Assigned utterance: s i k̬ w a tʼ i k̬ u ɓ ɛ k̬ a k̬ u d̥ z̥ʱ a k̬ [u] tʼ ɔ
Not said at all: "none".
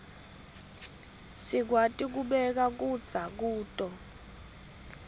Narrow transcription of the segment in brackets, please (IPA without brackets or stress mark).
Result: uː